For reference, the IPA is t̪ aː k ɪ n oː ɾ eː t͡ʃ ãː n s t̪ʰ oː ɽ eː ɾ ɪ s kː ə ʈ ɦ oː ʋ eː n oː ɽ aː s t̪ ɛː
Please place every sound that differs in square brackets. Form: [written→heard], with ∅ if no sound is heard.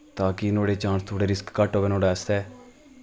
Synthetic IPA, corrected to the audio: t̪ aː k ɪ n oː [ɾ→ɽ] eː t͡ʃ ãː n s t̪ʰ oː ɽ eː ɾ ɪ s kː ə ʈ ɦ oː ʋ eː n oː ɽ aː s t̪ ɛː